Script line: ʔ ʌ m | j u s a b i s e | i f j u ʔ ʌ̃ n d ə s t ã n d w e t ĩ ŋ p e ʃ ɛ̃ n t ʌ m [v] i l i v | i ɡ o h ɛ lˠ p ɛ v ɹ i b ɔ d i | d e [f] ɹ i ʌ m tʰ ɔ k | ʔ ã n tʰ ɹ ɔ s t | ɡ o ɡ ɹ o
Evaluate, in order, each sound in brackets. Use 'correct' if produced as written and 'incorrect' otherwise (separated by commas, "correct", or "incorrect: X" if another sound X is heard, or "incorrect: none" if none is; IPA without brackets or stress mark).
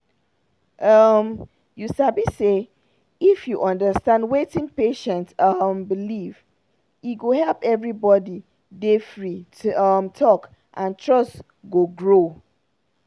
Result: incorrect: b, correct